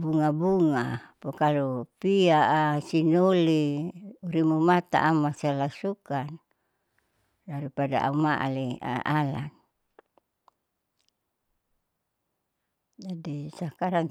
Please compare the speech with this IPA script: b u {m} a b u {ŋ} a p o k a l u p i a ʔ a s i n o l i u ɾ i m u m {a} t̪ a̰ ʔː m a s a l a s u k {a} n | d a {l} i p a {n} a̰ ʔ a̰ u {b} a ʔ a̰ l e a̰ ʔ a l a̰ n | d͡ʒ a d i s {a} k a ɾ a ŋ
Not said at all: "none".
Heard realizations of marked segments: ŋ, ŋ, a, a, ɾ, d, m, a

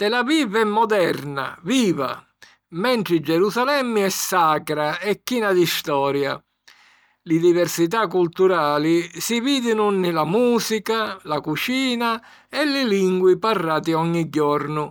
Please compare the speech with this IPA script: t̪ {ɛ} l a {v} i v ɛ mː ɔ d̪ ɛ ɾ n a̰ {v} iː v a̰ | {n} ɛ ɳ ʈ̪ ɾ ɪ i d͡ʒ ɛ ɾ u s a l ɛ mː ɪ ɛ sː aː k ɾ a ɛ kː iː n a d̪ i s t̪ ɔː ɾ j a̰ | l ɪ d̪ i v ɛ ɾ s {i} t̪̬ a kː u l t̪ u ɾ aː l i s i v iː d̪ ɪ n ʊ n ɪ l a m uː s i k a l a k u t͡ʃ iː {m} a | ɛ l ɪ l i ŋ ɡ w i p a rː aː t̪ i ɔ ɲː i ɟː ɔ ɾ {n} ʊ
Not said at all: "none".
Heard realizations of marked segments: ɛ, v, v, m, i, n, n

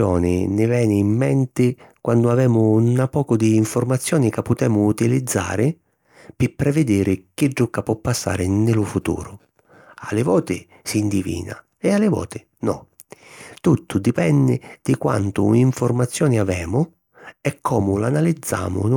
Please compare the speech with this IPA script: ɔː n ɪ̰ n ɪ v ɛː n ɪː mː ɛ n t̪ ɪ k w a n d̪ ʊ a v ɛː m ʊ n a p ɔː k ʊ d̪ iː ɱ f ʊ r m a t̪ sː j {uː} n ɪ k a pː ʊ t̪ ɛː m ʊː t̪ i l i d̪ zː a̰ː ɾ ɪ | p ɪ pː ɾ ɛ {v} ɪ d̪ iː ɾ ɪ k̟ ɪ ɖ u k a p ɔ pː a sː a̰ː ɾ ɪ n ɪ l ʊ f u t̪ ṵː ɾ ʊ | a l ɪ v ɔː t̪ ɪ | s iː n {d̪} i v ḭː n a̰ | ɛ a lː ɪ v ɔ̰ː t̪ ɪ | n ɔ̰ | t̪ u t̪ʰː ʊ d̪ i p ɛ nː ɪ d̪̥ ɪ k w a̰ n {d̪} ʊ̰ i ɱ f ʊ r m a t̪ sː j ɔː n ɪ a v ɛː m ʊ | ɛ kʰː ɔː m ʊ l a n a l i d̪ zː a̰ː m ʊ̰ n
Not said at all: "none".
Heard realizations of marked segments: ɔː, v, d̪, t̪

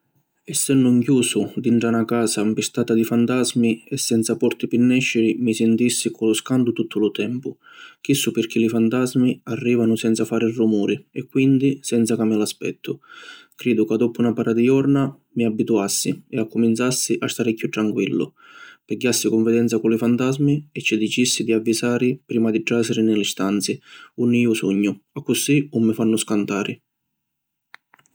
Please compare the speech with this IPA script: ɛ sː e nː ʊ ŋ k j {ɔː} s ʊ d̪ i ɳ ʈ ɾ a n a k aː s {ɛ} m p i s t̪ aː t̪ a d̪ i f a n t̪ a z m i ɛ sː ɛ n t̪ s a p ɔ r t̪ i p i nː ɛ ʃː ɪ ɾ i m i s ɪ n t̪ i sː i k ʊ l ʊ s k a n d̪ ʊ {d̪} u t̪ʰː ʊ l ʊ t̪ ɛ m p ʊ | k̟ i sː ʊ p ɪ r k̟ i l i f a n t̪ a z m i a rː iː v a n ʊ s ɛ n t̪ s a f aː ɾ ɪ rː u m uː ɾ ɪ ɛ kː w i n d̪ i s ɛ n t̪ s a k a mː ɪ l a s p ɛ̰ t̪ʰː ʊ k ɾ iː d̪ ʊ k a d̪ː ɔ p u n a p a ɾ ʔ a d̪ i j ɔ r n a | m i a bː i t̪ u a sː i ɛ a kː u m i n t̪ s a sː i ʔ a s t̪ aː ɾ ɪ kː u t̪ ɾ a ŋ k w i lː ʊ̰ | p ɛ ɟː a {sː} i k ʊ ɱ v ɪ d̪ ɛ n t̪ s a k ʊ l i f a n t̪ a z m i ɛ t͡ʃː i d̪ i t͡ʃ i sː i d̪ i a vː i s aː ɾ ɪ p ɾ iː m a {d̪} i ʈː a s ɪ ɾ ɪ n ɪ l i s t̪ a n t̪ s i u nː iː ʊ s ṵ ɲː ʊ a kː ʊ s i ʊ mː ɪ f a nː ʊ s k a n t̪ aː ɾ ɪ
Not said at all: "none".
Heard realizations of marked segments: uː, a, t̪, sː, d̪

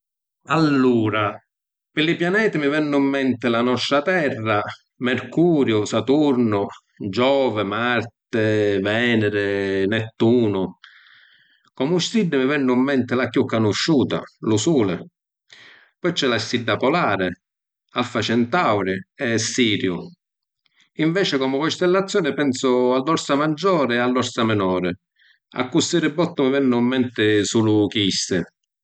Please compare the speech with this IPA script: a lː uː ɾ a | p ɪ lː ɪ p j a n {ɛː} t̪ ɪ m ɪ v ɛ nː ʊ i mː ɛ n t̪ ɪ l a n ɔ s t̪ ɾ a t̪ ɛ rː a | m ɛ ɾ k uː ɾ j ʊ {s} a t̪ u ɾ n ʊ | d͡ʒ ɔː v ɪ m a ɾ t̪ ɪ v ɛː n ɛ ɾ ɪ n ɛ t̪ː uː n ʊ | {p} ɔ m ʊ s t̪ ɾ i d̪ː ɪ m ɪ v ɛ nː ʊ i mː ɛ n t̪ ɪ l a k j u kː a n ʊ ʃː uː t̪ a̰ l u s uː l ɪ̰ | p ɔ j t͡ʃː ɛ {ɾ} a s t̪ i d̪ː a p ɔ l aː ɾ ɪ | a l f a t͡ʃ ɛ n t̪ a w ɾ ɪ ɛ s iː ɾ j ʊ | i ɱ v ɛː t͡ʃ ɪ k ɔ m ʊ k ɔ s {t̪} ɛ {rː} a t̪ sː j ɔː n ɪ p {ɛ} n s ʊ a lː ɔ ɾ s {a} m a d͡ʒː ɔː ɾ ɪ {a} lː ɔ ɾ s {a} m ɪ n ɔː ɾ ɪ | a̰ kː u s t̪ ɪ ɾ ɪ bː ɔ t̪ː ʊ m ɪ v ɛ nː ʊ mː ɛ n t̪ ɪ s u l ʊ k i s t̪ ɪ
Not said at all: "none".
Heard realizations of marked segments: ɛː, s, k, l, t̪, lː, ɛ, a, a, a

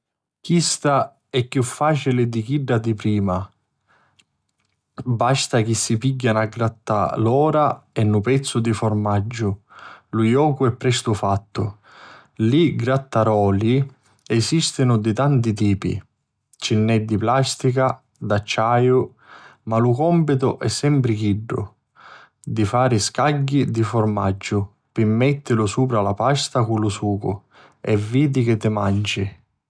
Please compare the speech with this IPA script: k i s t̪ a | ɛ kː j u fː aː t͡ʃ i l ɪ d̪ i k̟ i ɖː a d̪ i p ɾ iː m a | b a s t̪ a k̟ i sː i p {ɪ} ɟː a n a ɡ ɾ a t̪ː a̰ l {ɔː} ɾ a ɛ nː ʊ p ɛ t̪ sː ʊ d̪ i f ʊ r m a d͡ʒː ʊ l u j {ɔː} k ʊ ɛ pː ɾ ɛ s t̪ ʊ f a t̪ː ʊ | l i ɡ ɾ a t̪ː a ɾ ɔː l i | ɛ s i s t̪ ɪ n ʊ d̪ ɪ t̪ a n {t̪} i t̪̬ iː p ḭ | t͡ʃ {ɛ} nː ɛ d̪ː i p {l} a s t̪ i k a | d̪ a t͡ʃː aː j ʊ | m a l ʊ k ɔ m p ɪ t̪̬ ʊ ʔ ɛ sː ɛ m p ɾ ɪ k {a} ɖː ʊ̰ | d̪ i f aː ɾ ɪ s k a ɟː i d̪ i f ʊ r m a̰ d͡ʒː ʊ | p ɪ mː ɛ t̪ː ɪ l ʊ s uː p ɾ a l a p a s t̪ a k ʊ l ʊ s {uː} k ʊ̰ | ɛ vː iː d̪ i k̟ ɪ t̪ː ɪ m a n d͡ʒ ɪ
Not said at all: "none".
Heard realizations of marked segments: i, ɔː, ɔː, t̪, i, l, i, uː

